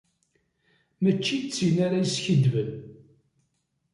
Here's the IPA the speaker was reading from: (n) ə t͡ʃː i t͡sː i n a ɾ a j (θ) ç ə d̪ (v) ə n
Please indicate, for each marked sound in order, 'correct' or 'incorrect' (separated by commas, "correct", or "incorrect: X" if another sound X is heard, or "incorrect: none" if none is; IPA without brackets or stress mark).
incorrect: m, incorrect: s, correct